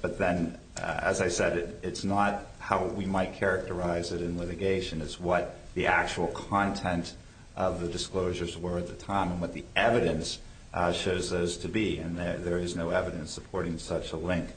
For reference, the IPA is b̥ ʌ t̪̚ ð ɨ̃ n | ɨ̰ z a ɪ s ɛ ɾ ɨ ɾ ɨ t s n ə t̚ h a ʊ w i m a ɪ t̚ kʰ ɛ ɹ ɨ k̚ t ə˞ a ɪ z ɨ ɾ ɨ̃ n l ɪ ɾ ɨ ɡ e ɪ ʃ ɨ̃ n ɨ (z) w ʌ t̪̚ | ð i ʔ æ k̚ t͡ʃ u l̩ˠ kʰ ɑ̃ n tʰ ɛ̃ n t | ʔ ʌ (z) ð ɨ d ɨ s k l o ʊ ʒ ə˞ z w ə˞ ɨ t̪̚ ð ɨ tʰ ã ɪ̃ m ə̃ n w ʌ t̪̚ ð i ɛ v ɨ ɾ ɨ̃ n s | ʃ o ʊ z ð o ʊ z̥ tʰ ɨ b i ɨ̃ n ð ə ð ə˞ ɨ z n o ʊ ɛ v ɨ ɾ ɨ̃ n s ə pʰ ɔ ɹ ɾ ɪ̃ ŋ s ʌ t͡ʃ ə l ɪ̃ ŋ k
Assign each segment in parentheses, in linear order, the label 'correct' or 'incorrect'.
correct, incorrect: v

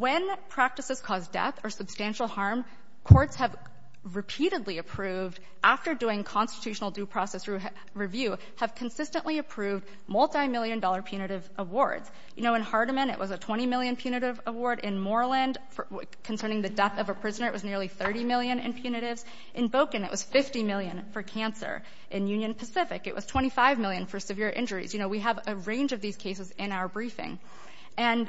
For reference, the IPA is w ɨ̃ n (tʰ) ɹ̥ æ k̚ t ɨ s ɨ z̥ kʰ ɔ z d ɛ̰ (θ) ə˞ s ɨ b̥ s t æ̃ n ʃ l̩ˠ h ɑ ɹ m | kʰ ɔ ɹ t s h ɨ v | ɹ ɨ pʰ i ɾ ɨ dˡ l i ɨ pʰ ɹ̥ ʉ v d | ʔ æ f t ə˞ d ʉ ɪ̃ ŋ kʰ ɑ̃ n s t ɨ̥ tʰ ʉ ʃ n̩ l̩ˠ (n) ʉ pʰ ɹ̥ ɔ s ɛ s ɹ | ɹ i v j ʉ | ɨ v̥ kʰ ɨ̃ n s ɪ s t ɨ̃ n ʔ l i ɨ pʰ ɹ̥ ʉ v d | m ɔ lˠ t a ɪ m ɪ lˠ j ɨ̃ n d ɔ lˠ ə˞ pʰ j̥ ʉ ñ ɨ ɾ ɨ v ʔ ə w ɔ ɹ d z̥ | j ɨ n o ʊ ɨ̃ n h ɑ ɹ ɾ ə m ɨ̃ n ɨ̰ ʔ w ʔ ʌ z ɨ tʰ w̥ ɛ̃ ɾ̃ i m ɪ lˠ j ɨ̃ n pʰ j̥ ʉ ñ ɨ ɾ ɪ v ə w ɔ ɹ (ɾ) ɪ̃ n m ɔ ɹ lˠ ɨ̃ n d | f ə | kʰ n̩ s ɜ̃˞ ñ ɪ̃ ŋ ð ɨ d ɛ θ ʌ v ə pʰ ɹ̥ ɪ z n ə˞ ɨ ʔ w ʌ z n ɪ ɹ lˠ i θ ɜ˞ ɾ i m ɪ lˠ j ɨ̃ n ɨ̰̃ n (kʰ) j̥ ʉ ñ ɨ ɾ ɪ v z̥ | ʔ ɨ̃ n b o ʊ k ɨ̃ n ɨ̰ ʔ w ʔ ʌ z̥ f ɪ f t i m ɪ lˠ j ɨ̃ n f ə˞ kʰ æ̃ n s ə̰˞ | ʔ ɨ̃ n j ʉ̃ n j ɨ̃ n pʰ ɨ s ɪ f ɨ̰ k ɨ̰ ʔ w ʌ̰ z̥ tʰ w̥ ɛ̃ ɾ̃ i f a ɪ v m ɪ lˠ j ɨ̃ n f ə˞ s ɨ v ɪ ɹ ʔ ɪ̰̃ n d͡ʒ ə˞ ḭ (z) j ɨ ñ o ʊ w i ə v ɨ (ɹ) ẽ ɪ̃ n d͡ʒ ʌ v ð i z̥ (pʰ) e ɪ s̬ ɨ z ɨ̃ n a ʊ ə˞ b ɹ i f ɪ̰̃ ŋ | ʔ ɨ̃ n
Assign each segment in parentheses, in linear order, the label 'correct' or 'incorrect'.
incorrect: pʰ, correct, incorrect: d, correct, incorrect: pʰ, correct, correct, incorrect: kʰ

